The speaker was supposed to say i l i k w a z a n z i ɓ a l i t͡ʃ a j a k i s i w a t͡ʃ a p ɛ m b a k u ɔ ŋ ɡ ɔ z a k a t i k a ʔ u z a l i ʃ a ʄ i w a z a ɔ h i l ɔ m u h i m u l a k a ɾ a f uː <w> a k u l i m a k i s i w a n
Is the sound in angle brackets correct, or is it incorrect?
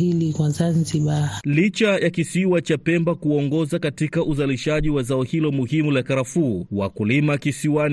correct